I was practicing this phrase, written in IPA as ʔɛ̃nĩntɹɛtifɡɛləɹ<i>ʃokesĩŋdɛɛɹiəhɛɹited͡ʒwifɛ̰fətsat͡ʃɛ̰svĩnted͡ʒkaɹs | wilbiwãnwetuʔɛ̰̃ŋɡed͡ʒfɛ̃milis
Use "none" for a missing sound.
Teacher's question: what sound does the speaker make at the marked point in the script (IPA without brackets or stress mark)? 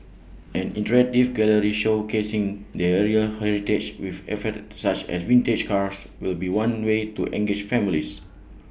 i